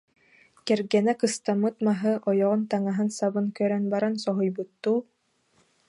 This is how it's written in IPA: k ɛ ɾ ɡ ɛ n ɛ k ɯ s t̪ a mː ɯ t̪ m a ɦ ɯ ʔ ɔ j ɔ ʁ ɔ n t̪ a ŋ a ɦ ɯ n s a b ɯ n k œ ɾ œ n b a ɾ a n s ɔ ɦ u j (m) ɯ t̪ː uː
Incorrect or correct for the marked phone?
incorrect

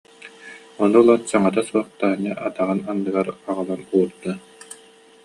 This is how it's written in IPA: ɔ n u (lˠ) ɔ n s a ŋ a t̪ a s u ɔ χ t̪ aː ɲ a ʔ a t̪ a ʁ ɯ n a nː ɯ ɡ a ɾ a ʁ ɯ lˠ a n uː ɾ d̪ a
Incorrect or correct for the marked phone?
correct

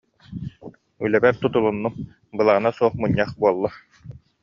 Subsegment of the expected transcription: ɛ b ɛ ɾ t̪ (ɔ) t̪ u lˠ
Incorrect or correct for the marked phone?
incorrect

